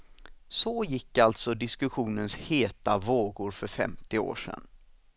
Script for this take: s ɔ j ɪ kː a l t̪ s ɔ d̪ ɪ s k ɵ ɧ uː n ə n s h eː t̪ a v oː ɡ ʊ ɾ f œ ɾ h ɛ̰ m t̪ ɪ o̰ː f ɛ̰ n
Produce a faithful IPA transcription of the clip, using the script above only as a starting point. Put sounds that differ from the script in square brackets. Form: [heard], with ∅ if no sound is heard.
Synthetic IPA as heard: s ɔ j ɪ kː a l t̪ s ɔ d̪ ɪ s k ɵ ɧ uː n ə n s h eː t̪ a v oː ɡ ʊ ɾ f œ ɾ [f] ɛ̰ m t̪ ɪ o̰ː [ʂ] ɛ̰ n